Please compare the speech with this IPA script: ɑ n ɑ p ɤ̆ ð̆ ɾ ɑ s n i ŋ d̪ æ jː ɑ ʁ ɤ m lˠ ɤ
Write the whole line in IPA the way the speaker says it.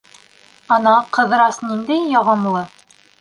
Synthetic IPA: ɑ n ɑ q ɤ̆ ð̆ ɾ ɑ s n i n d̪ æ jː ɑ ʁ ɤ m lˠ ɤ

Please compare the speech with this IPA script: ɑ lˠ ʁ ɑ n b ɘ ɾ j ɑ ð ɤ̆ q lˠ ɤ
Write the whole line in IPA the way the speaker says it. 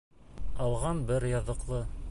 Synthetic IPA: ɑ lˠ ʁ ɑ n b ɘ ɾ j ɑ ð ɤ̆ q lˠ ɤ

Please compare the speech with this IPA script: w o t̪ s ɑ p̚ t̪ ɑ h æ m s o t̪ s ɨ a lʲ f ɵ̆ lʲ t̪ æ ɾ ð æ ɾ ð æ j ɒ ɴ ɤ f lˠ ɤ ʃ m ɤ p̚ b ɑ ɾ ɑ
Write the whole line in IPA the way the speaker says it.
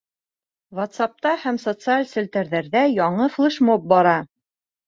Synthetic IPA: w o t̪ s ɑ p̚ t̪ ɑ h æ m s o t̪ s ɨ a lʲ s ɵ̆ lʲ t̪ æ ɾ ð æ ɾ ð æ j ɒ ɴ ɤ f lˠ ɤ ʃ m o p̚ b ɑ ɾ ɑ

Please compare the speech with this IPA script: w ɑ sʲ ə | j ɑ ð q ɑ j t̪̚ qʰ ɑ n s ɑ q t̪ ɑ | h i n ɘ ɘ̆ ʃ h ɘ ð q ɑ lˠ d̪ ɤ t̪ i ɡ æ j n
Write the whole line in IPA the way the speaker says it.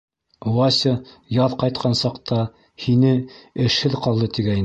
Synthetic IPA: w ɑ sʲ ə | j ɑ ð q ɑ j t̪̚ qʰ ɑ n s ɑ q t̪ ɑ | h i n ɘ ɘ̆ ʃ h ɘ ð q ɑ lˠ d̪ ɤ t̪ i ɡ æ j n

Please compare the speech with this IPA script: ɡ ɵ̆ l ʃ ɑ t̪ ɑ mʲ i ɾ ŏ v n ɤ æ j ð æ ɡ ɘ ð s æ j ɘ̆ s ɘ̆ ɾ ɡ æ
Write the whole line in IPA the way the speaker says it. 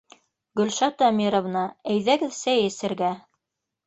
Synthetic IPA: ɡ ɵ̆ l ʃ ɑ t̪ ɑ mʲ i ɾ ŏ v n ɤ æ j ð æ ɡ ɘ ð s æ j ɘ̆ s ɘ̆ ɾ ɡ æ

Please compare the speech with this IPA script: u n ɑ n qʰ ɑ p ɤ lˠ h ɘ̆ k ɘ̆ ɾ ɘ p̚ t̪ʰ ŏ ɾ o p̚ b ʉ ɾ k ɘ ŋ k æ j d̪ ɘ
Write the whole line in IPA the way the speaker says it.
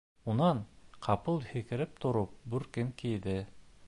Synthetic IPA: u n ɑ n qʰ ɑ p ɤ lˠ h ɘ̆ k ɘ̆ ɾ ɘ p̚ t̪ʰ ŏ ɾ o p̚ b ʉ ɾ k ɘ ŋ k i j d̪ ɘ

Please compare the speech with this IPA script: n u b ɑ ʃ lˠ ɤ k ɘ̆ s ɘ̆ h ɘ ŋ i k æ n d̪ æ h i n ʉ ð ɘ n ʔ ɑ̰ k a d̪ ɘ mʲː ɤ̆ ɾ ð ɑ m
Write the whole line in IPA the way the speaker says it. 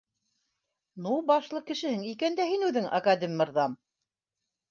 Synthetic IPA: n u b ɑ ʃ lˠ ɤ k ɘ̆ ʃ ɘ̆ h ɘ ŋ i k æ n d̪ æ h i n ʉ ð ɘ ŋ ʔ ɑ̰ k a d̪ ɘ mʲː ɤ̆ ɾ ð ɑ m

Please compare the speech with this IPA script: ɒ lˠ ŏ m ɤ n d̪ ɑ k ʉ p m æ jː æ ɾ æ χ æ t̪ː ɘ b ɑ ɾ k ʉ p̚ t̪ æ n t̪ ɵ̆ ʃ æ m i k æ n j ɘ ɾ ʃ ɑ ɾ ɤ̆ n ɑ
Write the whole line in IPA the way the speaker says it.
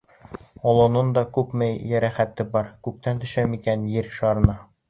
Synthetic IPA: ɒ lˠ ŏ n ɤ n d̪ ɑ k ʉ p m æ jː æ ɾ æ χ æ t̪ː ɘ b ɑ ɾ k ʉ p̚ t̪ æ n t̪ ɵ̆ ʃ æ m i k æ n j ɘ ɾ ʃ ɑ ɾ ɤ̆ n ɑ

